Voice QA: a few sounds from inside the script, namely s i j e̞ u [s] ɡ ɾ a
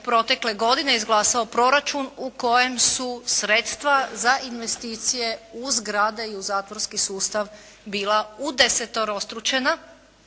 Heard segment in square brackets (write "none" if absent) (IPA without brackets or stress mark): z